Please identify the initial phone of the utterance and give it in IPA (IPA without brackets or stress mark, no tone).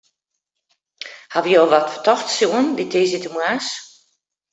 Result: h